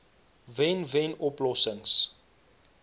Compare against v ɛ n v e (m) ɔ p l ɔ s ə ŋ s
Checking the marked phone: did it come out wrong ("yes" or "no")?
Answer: yes